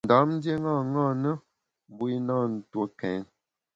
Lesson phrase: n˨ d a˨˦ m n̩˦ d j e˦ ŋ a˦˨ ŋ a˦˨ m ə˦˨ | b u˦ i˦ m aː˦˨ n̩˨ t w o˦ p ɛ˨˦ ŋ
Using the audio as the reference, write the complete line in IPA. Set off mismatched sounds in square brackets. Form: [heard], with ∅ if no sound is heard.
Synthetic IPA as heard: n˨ d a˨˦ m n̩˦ d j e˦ ŋ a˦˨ ŋ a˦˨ [n] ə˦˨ | b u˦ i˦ [n] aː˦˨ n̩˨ t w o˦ [k] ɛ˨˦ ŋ

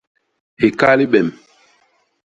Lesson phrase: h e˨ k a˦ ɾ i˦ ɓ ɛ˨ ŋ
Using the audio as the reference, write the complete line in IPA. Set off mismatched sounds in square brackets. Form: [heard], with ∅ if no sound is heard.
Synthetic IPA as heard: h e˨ k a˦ [l] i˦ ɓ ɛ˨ [m]

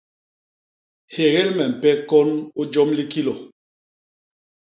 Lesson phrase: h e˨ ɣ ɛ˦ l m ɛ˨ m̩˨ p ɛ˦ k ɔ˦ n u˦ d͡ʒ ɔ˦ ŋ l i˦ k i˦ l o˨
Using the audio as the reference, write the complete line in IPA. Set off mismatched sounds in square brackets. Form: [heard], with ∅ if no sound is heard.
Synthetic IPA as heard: h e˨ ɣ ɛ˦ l m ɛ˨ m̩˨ p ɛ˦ k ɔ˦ n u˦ d͡ʒ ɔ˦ [m] l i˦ k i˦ l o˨

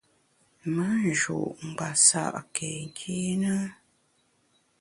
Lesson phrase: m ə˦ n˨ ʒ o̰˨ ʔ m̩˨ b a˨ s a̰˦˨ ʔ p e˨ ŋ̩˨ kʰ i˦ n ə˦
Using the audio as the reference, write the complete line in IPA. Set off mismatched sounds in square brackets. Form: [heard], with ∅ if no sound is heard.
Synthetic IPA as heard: m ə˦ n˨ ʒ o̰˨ ʔ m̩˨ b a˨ s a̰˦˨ ʔ [k] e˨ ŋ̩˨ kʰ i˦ n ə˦

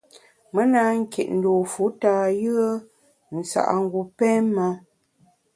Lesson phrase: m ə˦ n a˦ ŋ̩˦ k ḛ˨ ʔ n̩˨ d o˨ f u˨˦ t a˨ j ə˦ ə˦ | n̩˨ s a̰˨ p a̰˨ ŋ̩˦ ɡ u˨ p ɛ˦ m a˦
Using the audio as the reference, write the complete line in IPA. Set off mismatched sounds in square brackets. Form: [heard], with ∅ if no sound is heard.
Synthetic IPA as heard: m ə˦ n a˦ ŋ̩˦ k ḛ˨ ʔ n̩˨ d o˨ f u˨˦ t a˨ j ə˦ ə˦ | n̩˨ s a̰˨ [ʔ] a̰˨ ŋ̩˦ ɡ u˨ p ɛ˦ m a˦

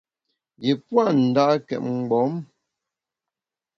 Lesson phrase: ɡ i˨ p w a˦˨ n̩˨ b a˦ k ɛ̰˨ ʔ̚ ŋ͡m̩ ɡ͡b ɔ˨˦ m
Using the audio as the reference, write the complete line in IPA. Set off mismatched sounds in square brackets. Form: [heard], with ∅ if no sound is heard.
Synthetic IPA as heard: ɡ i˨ p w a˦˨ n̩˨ [d] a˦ k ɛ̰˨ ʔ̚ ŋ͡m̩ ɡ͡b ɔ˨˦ m

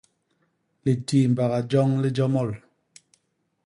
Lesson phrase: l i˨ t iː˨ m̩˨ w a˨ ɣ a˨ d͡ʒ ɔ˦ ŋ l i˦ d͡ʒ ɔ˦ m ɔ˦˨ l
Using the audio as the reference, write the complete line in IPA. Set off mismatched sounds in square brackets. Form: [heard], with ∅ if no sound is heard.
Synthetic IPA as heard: l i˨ t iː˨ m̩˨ [b] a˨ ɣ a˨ d͡ʒ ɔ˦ ŋ l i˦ d͡ʒ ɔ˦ m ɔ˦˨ l

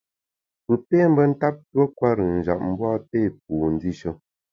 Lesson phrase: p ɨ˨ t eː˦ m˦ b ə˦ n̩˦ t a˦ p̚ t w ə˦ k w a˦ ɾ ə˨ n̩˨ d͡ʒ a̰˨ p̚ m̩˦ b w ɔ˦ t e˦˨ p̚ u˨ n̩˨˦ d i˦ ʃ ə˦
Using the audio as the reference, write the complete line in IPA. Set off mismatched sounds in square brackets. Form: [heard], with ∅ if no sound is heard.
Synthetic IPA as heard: p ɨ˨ [p] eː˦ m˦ b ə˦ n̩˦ t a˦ p̚ t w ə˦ k w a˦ ɾ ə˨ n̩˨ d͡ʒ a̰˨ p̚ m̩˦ b w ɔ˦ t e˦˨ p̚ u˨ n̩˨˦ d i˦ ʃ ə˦

